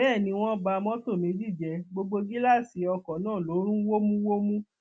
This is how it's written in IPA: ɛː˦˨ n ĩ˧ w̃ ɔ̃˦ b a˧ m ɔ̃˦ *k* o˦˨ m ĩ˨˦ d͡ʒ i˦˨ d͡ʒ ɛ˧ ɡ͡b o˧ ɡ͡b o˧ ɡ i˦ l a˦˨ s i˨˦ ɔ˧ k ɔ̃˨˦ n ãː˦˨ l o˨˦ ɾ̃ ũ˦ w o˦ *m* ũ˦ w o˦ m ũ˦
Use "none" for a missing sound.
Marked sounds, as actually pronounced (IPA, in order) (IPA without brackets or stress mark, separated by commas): t, m